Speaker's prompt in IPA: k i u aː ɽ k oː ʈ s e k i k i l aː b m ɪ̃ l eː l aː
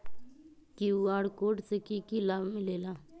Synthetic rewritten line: k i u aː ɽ k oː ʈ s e k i k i l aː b m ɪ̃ l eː l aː